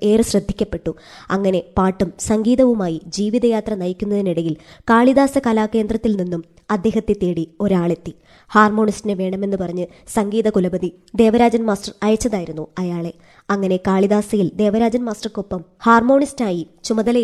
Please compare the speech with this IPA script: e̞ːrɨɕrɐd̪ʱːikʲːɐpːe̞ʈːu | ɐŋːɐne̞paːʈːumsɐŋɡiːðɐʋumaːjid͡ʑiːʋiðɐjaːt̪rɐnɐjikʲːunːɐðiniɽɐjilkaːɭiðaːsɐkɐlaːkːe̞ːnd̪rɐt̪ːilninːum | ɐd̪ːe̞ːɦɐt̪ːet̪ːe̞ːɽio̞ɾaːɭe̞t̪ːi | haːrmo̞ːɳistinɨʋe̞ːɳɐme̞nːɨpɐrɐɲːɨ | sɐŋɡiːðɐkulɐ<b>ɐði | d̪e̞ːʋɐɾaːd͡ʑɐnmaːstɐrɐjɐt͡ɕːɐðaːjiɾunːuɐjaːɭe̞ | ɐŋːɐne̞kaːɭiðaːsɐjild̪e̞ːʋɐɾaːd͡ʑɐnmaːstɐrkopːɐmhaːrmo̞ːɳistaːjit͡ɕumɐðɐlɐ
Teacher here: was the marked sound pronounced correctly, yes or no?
yes